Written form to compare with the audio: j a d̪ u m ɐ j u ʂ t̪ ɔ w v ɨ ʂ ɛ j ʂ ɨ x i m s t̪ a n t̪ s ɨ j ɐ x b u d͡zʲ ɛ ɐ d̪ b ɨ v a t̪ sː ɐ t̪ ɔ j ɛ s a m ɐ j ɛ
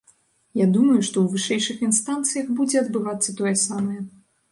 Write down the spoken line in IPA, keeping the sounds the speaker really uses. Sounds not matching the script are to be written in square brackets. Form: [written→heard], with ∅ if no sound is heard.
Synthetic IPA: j a d̪ u m ɐ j u ʂ t̪ ɔ w v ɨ ʂ ɛ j ʂ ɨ x i [m→n] s t̪ a n t̪ s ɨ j ɐ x b u d͡zʲ ɛ ɐ d̪ b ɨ v a t̪ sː ɐ t̪ ɔ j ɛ s a m ɐ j ɛ